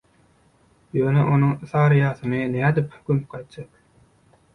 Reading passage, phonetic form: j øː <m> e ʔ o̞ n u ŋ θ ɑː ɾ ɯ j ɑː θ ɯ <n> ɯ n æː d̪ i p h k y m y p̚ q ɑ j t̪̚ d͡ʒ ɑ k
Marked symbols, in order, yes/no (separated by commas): no, yes